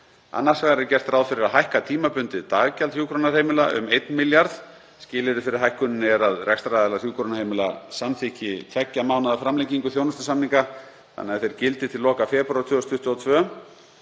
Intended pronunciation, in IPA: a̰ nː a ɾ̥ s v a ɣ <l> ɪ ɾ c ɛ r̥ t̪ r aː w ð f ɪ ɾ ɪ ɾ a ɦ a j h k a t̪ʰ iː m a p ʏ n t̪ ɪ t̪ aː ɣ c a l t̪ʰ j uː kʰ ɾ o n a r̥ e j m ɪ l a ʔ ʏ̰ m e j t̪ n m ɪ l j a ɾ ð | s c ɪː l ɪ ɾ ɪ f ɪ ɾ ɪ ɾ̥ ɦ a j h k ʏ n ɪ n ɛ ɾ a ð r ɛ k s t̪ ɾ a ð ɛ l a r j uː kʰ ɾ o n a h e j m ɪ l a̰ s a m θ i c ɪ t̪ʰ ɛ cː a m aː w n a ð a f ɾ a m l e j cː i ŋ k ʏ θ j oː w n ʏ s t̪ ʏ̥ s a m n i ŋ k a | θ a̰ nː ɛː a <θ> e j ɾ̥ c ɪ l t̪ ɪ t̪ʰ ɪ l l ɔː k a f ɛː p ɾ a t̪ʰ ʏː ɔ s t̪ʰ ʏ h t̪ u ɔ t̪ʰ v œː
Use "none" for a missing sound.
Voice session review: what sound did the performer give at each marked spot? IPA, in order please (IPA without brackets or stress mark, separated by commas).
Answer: ɾ, θ